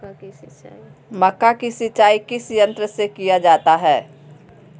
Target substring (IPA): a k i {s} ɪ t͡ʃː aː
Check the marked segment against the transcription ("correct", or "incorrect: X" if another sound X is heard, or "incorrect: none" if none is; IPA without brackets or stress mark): correct